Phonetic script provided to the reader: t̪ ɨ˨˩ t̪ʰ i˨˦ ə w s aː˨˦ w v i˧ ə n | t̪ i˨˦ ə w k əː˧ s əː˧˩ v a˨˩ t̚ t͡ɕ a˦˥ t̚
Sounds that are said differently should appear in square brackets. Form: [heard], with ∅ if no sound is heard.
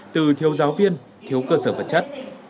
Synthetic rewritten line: t̪ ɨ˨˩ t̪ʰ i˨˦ ə w [z] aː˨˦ w v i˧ ə n | [t̪ʰ] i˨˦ ə w k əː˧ s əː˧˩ v [ə˨˩] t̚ t͡ɕ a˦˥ t̚